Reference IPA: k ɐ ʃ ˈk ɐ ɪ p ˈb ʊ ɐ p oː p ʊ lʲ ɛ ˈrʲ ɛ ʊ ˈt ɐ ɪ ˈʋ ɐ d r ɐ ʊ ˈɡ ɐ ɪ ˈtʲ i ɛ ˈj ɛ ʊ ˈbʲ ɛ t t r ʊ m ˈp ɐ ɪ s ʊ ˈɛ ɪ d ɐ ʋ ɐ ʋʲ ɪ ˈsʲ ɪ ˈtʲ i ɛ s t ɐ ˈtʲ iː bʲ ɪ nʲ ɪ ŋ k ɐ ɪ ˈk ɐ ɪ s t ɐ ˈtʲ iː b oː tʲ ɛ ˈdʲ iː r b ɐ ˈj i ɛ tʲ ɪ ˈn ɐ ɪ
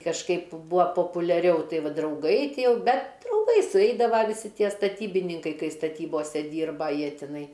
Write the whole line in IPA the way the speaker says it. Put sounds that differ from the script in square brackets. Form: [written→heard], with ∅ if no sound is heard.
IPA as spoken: k ɐ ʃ ˈk ɐ ɪ p ˈb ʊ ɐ p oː p ʊ lʲ ɛ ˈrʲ ɛ ʊ ˈt ɐ ɪ ˈʋ ɐ d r ɐ ʊ ˈɡ ɐ ɪ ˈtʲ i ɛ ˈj ɛ ʊ ˈbʲ ɛ t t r ʊ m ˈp ɐ ɪ s ʊ ˈɛ ɪ d ɐ ʋ ɐ ʋʲ ɪ ˈsʲ ɪ ˈtʲ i ɛ s t ɐ ˈtʲ iː bʲ ɪ nʲ ɪ ŋ k ɐ ɪ ˈk ɐ ɪ s t ɐ ˈtʲ iː b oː [tʲ→sʲ] ɛ ˈdʲ iː r b ɐ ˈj i ɛ tʲ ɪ ˈn ɐ ɪ